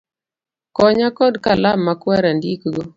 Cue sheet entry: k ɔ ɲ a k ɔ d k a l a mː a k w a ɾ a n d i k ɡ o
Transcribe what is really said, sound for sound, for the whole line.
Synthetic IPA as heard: k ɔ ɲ a k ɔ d k a l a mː a k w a ɾ a n d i k ɡ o